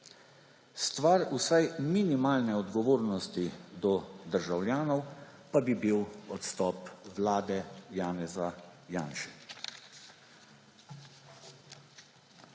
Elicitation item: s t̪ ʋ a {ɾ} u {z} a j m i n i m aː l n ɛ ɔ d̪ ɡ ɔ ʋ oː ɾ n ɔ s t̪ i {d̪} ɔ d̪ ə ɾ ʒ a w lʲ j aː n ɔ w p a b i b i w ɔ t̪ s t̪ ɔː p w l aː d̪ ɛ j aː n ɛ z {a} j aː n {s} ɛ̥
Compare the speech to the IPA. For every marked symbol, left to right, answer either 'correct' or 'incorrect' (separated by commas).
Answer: correct, incorrect, correct, correct, incorrect